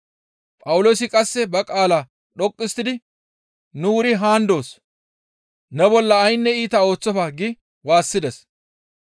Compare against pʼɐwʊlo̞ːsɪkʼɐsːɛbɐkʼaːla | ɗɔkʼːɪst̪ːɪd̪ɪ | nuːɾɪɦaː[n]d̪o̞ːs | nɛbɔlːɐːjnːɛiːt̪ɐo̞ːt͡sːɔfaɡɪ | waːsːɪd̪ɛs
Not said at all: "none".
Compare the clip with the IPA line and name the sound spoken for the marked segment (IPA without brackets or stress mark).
n